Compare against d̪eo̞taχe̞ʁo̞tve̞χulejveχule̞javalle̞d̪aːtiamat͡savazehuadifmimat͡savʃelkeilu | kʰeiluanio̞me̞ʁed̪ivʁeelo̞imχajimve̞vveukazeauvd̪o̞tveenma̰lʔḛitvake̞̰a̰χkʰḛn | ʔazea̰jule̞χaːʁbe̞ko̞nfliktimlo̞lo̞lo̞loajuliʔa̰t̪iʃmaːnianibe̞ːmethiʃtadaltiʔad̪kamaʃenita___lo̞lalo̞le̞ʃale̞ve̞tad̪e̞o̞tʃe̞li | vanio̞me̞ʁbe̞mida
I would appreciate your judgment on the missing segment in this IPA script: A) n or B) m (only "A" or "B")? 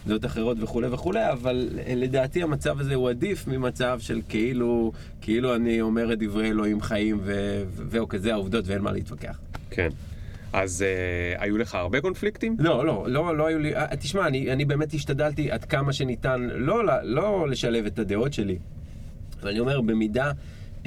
A